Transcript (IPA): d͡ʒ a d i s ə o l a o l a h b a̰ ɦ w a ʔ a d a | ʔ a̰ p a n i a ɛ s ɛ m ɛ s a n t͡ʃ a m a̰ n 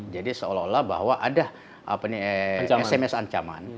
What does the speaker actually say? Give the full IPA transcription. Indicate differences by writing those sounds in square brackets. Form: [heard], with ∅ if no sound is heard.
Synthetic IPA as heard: d͡ʒ a d i s ə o l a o l a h b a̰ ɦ w a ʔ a d a | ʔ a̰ p a n i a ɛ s ɛ m ɛ s a [ɲ] t͡ʃ a m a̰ n